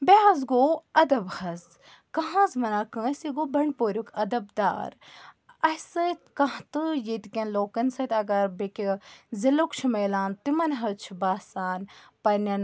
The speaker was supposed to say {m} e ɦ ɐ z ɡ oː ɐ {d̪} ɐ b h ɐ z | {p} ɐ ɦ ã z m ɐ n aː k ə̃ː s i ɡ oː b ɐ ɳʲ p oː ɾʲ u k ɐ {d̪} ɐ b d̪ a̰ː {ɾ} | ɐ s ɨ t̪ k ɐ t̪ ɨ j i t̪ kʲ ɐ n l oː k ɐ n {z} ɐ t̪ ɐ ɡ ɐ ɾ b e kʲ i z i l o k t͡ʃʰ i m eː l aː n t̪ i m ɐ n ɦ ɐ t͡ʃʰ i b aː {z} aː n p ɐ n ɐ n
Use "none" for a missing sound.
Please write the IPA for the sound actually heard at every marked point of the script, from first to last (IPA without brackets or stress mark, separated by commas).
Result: b, d̪, k, d̪, ɾ, s, s